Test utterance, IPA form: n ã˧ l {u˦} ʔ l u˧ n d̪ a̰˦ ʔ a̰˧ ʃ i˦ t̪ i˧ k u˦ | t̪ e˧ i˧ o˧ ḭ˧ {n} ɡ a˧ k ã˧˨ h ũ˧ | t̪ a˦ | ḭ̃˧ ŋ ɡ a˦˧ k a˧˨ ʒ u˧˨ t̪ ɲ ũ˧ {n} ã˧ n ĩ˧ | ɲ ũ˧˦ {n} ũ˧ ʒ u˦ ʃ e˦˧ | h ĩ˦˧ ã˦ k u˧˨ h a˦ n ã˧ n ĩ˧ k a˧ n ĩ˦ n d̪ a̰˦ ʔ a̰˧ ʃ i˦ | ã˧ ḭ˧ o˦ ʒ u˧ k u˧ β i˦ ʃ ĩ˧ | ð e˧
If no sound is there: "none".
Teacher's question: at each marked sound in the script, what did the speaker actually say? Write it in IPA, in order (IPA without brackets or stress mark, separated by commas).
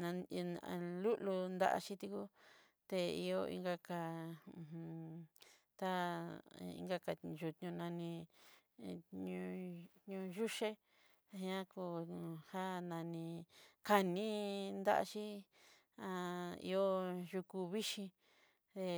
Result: u˦, ŋ, n, ɲ